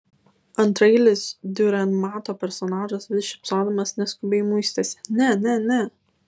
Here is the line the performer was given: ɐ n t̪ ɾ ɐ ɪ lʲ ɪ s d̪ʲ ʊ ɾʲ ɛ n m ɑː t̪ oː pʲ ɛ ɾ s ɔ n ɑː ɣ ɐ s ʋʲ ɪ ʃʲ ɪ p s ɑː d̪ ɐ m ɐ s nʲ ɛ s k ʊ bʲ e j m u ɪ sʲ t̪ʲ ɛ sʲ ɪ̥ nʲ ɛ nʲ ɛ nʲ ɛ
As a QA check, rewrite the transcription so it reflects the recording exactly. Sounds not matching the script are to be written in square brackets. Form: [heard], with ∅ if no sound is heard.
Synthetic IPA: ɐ n t̪ ɾ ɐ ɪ lʲ ɪ s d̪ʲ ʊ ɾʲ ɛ n m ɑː t̪ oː pʲ ɛ ɾ s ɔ n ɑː [ʒ] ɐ s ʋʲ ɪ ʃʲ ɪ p s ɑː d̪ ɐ m ɐ s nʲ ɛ s k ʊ bʲ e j m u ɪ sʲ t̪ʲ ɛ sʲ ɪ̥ nʲ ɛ nʲ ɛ nʲ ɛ